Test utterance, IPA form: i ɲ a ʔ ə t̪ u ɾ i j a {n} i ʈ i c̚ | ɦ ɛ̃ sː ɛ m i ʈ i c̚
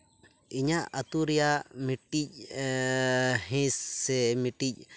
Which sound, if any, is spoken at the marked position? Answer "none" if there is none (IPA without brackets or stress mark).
m